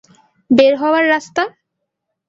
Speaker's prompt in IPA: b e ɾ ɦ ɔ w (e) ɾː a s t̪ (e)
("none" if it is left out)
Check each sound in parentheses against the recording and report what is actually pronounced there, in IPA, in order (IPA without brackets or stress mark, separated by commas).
a, a